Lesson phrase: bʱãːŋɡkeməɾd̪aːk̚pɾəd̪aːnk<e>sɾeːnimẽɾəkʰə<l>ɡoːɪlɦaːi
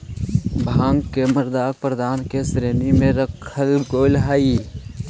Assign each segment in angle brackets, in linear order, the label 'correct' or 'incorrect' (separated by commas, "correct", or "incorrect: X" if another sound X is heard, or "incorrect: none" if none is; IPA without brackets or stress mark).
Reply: correct, correct